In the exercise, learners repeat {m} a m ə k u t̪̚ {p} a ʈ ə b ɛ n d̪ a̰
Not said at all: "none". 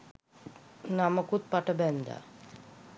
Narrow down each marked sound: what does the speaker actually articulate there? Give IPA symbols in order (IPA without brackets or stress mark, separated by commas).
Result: n, p